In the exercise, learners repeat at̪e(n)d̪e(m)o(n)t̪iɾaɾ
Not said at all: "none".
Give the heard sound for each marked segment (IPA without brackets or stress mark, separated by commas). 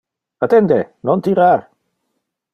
n, n, n